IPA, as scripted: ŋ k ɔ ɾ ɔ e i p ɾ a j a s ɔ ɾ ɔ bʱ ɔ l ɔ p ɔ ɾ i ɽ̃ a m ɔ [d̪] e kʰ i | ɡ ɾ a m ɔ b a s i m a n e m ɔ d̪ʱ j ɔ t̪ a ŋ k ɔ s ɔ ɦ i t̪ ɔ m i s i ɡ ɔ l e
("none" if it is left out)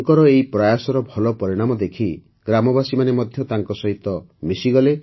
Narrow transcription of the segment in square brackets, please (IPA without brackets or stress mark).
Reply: d̪